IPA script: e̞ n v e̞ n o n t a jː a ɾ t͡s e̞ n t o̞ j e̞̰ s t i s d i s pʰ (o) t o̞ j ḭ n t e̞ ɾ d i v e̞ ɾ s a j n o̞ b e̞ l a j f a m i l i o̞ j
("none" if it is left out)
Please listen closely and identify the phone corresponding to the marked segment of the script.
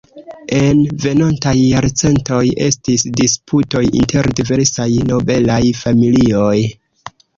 u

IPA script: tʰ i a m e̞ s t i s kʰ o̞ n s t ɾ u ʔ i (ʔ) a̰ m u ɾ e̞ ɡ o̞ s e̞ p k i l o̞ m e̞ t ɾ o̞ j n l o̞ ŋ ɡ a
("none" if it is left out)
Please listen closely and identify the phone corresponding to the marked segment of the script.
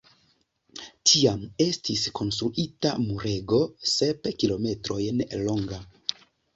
t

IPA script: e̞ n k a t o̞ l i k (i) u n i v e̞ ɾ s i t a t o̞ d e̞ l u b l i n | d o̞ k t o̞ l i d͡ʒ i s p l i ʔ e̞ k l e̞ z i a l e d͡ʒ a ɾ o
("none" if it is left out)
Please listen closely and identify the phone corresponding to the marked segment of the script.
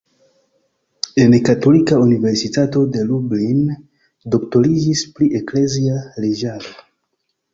a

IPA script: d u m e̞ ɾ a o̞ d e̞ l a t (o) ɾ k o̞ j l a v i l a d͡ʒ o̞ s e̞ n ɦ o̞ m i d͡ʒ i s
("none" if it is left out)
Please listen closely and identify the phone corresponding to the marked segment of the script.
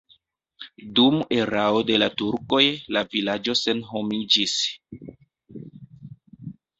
u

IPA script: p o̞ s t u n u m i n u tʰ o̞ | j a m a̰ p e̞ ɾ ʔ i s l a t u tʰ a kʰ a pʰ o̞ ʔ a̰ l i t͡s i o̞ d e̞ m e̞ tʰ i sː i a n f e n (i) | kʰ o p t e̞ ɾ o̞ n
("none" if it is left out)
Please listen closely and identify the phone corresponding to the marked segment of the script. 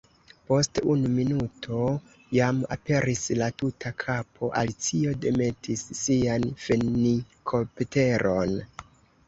i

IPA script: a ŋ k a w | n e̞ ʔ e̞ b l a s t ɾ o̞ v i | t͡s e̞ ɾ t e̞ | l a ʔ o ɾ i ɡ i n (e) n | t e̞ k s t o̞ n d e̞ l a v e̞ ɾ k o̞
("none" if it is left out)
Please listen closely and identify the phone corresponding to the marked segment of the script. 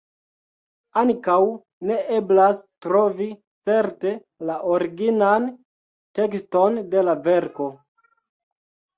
a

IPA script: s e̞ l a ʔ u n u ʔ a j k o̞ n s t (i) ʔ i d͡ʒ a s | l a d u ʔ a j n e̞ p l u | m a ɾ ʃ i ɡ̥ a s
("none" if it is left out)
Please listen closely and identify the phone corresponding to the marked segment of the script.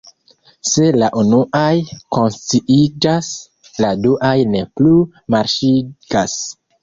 i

